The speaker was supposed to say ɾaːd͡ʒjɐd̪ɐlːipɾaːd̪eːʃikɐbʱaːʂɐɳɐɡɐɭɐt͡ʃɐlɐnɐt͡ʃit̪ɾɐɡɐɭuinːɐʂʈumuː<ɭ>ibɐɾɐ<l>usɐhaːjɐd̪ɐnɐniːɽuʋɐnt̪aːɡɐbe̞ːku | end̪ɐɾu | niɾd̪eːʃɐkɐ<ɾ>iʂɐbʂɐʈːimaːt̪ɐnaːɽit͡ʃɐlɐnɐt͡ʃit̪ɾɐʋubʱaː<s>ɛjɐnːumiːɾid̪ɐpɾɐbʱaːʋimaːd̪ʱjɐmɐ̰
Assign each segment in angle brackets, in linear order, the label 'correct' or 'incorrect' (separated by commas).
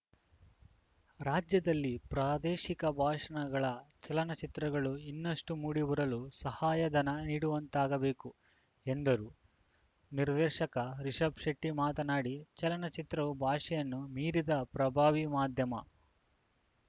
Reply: incorrect, correct, correct, incorrect